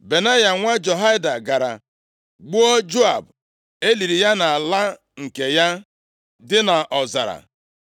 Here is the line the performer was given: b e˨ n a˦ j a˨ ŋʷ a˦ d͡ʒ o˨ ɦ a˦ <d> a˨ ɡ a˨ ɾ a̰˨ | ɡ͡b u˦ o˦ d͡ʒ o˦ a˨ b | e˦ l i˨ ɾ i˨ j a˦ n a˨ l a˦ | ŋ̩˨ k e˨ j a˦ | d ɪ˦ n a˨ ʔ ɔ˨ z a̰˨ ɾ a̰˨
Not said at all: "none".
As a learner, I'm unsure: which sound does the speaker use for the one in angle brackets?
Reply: d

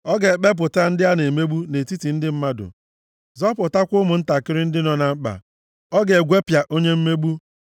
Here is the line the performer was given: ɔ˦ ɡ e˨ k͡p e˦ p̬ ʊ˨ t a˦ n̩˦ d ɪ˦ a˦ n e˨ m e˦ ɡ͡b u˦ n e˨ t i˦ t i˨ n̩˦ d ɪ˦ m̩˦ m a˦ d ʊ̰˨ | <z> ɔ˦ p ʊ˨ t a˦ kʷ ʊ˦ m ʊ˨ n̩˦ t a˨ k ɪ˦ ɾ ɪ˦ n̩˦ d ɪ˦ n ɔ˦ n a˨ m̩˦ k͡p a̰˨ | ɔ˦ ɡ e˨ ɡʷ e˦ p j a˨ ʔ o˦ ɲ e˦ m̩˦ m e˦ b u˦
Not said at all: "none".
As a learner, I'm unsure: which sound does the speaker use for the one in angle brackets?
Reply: z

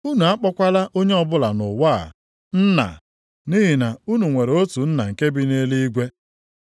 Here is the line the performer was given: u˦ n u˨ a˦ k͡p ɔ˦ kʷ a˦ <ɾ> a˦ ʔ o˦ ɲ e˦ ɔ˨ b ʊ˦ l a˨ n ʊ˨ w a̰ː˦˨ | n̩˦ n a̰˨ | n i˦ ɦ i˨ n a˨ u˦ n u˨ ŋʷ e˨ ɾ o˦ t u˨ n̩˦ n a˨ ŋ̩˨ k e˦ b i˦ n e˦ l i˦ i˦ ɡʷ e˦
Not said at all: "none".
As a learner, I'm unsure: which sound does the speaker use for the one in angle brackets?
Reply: l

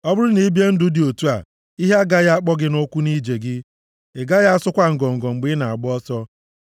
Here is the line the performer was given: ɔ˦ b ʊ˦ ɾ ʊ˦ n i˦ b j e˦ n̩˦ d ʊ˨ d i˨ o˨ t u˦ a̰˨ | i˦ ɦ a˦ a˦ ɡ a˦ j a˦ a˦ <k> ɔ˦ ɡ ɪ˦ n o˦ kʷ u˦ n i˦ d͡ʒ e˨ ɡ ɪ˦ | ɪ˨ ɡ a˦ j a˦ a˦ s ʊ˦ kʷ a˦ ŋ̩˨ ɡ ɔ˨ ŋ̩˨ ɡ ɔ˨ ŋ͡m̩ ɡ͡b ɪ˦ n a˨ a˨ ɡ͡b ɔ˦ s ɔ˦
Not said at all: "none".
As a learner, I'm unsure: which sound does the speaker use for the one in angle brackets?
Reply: k͡p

